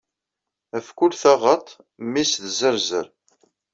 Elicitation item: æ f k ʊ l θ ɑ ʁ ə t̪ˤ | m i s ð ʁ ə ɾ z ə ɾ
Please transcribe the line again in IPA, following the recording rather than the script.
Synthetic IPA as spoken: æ f k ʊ l θ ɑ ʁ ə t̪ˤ | m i s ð z ə ɾ z ə ɾ